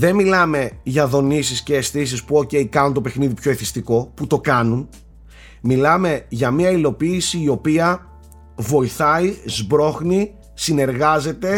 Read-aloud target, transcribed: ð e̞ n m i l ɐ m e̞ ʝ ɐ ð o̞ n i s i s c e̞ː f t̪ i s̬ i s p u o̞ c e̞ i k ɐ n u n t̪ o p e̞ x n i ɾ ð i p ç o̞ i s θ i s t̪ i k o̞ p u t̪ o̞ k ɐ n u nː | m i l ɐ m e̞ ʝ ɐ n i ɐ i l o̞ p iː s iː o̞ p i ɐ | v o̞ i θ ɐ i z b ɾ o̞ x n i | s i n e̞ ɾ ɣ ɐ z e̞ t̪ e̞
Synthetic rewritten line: ð e̞ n m i l ɐ m e̞ ʝ ɐ ð o̞ n i s i s c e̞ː s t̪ i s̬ i s p u o̞ c e̞ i k ɐ n u n t̪ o p e̞ x n i ð i p ç o̞ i θ i s t̪ i k o̞ p u t̪ o̞ k ɐ n u n | m i l ɐ m e̞ ʝ ɐ m i ɐ i l o̞ p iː s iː o̞ p i ɐ | v o̞ i θ ɐ i z b ɾ o̞ x n i | s i n e̞ ɾ ɣ ɐ z e̞ t̪ e̞